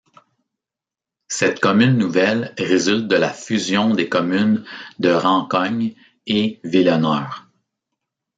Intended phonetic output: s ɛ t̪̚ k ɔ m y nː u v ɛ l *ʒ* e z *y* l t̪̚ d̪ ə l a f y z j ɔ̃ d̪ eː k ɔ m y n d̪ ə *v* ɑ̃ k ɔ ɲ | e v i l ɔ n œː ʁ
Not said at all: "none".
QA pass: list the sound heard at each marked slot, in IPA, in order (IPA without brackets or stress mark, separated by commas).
ʁ, y, ʁ